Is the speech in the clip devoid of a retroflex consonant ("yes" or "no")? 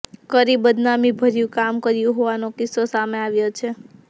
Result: yes